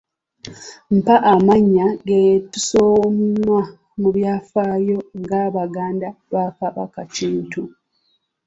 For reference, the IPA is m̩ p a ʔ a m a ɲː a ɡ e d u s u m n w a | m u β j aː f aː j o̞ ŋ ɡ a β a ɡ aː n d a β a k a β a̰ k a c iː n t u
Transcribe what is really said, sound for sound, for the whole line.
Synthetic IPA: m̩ p a ʔ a m a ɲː a ɡ e t u s o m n w a | m u β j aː f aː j o̞ ŋ ɡ a β a ɡ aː n d a β a k a β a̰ k a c iː n t u

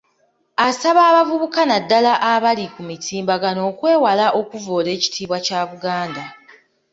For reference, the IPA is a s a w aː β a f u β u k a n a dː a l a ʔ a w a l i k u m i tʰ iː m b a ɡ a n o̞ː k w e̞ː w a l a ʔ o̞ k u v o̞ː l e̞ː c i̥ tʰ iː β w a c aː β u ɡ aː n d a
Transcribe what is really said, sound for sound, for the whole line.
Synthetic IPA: a s a β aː β a v u β u k a n a dː a l a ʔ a β a l i k u m i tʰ iː m b a ɡ a n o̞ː k w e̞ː w a l a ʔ o̞ k u v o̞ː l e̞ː c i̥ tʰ iː β w a c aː β u ɡ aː n d a

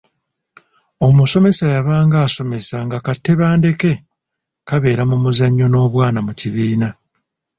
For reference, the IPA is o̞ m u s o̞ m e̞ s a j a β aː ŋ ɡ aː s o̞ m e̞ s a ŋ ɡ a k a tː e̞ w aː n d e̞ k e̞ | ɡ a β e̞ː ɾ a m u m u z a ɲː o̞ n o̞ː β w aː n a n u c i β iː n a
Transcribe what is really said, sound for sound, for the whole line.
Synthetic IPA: o̞ m u s o̞ m e̞ s a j a β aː ŋ ɡ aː s o̞ m e̞ s a ŋ ɡ a k a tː e̞ β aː n d e̞ k e̞ | k a β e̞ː ɾ a m u m u z a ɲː o̞ n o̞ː β w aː n a m u c i β iː n a

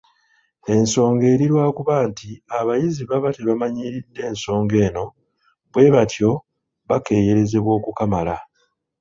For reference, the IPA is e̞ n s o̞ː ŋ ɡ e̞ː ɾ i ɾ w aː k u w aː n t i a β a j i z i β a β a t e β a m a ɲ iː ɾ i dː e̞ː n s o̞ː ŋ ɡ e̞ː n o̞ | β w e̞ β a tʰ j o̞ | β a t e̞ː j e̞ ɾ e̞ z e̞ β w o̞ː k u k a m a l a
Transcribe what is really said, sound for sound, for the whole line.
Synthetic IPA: e̞ n s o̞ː ŋ ɡ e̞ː ɾ i ɾ w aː k u β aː n t i a β a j i z i β a β a t e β a m a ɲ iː ɾ i dː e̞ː n s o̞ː ŋ ɡ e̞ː n o̞ | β w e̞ β a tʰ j o̞ | β a k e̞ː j e̞ ɾ e̞ z e̞ β w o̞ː k u k a m a l a

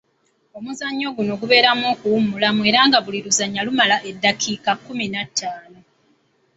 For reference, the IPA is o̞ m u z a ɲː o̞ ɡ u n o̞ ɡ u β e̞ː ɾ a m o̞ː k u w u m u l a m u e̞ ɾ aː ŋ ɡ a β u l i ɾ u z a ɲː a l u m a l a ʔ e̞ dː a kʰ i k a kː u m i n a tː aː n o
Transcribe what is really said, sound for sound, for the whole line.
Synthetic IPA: o̞ m u z a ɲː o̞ ɡ u n o̞ ɡ u β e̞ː ɾ a m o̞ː k u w u m u l a m u e̞ ɾ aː ŋ ɡ a β u l i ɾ u z a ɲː a l u m a l a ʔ e̞ dː a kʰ i k a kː u m i n a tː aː n o

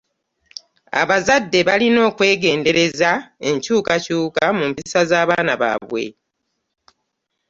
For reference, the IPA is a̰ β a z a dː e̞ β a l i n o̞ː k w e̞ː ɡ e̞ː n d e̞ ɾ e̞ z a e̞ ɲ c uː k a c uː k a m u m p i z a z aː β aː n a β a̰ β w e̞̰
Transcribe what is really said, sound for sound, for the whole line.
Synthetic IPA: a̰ β a z a dː e̞ β a l i n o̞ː k w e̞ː ɡ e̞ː n d e̞ ɾ e̞ z a e̞ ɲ c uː k a c uː k a m u m p i s a z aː β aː n a β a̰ β w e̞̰

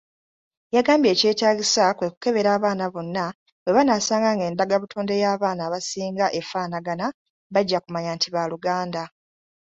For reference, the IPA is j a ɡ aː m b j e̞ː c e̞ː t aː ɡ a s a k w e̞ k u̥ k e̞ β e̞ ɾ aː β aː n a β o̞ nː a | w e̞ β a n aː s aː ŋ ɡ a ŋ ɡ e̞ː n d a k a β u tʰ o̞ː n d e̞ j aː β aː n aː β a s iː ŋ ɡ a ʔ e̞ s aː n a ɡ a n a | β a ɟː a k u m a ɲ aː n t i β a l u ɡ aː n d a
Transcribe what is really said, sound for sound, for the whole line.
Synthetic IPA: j a ɡ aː m b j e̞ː c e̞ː t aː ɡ i s a k w e̞ k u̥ k e̞ β e̞ ɾ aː β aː n a β o̞ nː a | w e̞ β a n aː s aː ŋ ɡ a ŋ ɡ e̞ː n d a ɡ a β u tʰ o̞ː n d e̞ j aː β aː n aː β a s iː ŋ ɡ a ʔ e̞ f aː n a ɡ a n a | β a ɟː a k u m a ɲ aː n t i β a l u ɡ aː n d a

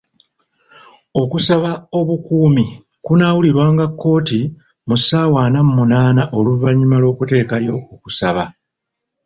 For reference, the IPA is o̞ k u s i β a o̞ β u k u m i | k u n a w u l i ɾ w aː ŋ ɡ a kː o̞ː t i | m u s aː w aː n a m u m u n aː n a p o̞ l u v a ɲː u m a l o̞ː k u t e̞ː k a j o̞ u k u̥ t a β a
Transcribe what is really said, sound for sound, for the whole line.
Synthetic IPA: o̞ k u s a β a o̞ β u k uː m i | k u n a w u l i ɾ w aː ŋ ɡ a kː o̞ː t i | m u s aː w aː n a m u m u n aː n a ʔ o̞ l u v a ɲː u m a l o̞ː k u t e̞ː k a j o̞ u k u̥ s a β a

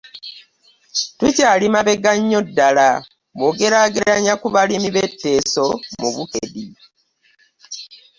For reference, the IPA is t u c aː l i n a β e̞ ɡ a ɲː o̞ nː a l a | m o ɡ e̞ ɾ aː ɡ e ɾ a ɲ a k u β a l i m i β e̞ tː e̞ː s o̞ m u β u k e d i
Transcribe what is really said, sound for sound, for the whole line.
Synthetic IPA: t u c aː l i m a β e̞ ɡ a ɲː o̞ dː a l a | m o ɡ e̞ ɾ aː ɡ e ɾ a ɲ a k u β a l i m i β e̞ tː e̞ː s o̞ m u β u k e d i

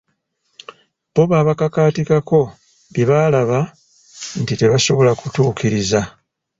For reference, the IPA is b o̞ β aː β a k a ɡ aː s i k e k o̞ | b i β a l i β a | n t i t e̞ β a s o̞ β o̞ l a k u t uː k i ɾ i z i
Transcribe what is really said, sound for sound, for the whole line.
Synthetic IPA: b o̞ β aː β a k a k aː t i k a k o̞ | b i β a l a β a | n t i t e̞ β a s o̞ β o̞ l a k u t uː k i ɾ i z a

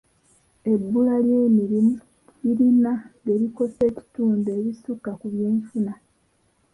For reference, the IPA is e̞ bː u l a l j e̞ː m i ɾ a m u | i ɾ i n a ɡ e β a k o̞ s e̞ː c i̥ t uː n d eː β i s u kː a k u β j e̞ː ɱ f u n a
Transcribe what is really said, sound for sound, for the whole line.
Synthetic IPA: e̞ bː u l a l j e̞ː m i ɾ i m u | i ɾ i n a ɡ e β i k o̞ s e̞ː c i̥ t uː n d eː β i s u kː a k u β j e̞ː ɱ f u n a

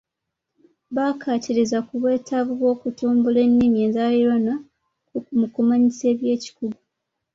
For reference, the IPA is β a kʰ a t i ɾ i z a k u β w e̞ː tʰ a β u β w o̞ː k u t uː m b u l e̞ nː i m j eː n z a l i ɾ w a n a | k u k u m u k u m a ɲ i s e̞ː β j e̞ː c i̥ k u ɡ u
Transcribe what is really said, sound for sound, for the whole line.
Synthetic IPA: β a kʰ a t i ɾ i z a k u β w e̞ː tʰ a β u β w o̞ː k u t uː m b u l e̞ nː i m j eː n z a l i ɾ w a n a | k u k u m u k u m a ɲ i s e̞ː β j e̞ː c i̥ k u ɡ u

